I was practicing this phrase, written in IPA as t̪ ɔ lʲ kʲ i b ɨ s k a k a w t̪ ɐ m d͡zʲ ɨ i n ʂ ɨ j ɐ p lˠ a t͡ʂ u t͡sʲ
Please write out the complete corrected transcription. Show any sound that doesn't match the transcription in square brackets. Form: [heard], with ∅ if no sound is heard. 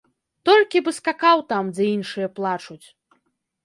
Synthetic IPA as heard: t̪ ɔ lʲ kʲ i b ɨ s k a k a w t̪ [a] m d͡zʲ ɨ i n ʂ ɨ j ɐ p lˠ a t͡ʂ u t͡sʲ